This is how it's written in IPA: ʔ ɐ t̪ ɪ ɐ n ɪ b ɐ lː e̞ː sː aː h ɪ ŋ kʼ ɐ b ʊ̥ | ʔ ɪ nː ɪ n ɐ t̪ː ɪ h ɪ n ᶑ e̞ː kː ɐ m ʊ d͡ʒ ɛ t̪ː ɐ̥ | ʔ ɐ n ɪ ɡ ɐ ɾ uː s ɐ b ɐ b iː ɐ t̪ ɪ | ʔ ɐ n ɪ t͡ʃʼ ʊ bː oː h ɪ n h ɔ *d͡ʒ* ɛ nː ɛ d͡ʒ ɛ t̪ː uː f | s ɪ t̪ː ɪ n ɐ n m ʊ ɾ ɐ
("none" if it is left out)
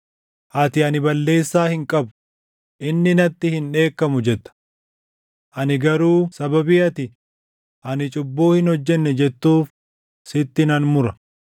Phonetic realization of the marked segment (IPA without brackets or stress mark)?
d͡ʒː